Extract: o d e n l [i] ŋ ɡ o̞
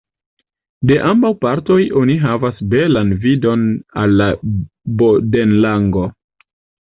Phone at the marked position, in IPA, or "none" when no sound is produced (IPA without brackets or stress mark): a